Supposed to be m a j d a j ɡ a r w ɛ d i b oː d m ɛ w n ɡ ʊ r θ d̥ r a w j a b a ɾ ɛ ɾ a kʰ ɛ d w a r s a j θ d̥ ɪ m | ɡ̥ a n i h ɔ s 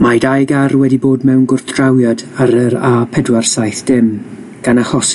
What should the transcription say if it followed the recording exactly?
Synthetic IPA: m a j d a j ɡ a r w ɛ d i b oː d m ɛ w n ɡ ʊ r θ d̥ r a w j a d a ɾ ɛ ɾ a pʰ ɛ d w a r s a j θ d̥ ɪ m | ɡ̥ a n a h ɔ s